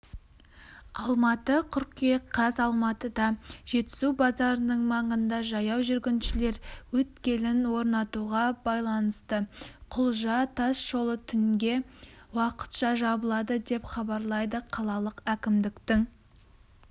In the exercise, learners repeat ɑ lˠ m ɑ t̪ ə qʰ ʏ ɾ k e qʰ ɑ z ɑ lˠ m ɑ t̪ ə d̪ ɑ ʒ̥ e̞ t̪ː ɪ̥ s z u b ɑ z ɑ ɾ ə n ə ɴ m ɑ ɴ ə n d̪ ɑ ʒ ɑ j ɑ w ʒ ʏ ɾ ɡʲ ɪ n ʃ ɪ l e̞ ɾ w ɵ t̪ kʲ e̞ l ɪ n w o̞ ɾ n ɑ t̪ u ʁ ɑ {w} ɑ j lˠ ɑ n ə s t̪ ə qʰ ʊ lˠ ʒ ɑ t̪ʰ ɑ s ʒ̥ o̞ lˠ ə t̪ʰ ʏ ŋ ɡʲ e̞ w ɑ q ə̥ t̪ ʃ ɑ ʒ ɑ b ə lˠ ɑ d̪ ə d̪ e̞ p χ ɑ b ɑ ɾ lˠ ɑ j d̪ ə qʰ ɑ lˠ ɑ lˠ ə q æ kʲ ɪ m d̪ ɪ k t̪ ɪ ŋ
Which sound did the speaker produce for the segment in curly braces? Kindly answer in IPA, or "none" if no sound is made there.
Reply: b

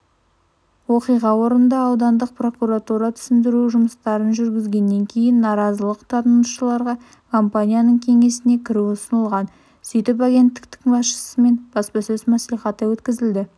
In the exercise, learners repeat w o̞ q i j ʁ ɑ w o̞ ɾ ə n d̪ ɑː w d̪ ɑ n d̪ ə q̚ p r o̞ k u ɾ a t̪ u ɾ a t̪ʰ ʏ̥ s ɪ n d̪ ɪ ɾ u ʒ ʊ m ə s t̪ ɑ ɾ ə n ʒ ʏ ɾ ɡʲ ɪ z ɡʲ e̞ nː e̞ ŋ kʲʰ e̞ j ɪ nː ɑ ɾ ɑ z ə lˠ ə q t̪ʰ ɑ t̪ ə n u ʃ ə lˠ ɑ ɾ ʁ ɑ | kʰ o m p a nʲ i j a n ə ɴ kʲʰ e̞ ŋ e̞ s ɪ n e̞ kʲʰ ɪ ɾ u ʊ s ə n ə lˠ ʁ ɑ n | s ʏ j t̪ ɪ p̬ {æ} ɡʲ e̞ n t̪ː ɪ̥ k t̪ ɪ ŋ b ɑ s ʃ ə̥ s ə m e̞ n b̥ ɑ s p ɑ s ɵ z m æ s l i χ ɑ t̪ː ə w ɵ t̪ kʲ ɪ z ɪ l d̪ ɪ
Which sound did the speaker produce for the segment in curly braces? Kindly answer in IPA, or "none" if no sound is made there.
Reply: a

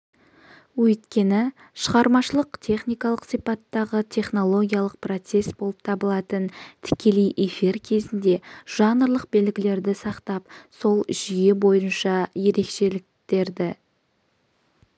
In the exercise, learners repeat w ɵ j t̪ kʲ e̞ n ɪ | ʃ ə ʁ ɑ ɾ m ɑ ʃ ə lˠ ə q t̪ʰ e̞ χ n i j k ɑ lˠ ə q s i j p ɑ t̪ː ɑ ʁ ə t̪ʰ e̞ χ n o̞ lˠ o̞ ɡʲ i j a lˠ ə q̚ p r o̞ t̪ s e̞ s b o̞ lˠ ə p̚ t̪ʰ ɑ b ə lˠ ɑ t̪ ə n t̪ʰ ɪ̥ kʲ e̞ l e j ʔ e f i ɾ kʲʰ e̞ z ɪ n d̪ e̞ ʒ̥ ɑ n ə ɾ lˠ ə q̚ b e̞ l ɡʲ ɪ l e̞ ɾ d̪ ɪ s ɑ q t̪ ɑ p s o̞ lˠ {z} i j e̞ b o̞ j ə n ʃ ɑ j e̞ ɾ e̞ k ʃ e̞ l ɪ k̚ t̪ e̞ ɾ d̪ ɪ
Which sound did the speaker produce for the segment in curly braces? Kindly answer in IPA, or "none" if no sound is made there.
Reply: ʒ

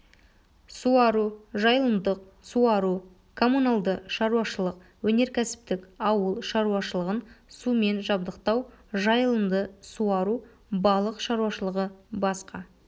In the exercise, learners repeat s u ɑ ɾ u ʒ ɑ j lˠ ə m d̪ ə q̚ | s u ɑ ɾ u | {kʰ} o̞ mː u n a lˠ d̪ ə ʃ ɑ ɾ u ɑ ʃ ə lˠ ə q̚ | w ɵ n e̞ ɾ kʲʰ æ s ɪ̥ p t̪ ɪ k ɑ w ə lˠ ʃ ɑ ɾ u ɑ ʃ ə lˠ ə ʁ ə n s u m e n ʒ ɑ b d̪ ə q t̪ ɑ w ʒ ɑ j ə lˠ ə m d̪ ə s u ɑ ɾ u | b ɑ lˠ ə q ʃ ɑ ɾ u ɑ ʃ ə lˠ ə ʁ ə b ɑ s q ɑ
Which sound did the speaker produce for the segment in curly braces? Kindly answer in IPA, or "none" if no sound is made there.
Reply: kʰ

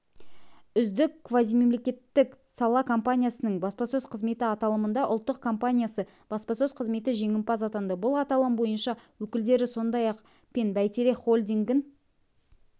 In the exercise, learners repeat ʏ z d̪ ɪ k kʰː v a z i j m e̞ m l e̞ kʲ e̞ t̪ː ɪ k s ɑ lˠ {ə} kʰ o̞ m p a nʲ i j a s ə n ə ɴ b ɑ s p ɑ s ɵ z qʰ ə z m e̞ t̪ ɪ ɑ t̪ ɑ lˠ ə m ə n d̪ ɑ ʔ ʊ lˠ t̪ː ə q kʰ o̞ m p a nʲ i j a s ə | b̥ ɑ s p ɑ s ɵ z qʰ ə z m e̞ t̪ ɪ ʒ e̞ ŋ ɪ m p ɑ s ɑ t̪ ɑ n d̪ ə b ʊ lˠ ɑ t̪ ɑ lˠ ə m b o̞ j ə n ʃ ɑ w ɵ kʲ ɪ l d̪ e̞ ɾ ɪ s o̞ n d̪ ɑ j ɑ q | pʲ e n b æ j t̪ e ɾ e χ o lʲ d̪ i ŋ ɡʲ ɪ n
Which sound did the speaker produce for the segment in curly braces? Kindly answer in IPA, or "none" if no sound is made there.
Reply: ɑ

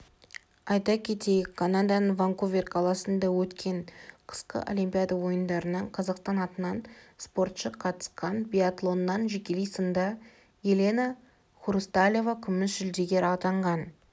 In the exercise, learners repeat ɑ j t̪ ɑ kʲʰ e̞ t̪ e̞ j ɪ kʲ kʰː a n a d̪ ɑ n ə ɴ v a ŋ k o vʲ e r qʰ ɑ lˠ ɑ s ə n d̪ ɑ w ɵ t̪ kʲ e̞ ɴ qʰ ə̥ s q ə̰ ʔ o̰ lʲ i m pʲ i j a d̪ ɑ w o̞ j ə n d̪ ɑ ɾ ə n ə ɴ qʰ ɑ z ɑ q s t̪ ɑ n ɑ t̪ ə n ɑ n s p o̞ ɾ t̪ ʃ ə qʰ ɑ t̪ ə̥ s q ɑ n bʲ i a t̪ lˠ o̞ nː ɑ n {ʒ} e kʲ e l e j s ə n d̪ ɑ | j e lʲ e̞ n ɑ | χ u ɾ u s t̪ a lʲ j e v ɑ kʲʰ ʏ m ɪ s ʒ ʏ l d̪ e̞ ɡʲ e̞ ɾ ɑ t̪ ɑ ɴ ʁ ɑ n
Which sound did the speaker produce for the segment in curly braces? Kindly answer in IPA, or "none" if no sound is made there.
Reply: ʒ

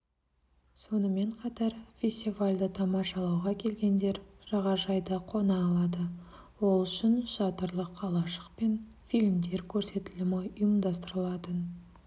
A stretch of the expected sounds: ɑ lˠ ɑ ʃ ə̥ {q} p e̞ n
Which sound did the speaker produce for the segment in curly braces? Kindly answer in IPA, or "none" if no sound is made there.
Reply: q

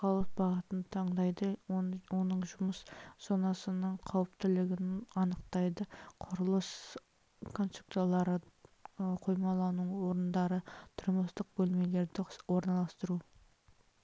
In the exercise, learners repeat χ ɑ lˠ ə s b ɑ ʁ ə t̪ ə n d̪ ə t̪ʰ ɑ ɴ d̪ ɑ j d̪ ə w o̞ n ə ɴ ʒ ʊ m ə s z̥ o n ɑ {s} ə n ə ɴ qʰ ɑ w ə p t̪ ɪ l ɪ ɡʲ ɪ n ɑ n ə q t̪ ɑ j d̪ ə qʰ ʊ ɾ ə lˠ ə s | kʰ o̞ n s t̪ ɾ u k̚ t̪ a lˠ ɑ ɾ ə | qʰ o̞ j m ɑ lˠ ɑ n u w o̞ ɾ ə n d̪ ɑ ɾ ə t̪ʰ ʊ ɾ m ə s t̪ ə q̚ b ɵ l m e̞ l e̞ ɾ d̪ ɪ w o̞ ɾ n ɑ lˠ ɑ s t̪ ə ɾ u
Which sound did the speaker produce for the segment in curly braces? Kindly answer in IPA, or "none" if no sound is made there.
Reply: s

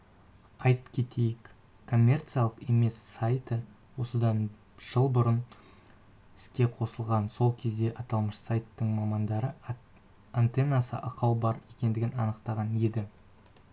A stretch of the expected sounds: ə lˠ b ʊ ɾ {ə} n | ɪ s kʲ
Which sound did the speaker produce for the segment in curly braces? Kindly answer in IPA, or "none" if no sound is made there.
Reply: ə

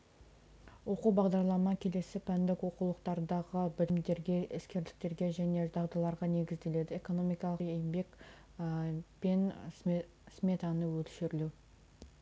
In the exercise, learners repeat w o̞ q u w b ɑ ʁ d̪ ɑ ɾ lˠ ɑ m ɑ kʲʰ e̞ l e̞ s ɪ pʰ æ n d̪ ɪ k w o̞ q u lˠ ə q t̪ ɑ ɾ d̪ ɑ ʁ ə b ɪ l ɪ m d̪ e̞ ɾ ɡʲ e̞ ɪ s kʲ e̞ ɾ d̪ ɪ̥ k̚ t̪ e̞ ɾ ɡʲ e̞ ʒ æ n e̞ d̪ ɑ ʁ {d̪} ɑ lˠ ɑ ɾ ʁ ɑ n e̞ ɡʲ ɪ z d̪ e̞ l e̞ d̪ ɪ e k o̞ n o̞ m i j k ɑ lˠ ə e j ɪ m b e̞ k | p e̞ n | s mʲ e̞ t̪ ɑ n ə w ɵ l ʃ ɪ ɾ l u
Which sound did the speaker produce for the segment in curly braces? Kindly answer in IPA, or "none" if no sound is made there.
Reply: d̪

